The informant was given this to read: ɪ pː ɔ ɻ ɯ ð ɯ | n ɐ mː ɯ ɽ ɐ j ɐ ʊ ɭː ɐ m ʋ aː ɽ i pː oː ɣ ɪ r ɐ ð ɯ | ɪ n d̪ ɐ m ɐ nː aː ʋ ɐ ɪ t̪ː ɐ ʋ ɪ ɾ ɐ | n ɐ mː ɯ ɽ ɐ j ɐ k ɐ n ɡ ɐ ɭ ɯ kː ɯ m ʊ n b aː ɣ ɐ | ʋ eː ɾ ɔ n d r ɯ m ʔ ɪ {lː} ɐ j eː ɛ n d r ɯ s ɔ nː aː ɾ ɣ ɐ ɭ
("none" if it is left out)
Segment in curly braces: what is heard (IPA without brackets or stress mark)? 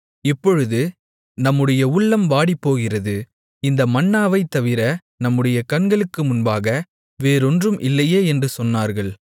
lː